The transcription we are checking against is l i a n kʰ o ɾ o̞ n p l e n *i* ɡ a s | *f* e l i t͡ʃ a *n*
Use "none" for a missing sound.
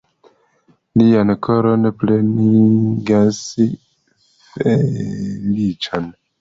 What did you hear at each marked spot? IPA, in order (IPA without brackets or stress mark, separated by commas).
i, f, n